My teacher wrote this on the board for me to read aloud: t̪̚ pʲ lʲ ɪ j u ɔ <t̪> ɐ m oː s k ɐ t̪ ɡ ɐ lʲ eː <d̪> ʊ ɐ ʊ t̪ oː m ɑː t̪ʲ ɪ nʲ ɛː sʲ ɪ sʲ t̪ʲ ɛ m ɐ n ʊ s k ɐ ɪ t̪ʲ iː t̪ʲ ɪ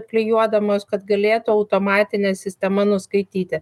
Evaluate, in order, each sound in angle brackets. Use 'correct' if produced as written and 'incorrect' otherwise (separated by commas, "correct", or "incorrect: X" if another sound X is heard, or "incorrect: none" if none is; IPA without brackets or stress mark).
incorrect: d̪, incorrect: t̪